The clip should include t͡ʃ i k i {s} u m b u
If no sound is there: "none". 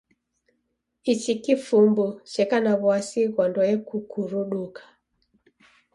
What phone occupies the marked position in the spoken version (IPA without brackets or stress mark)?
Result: f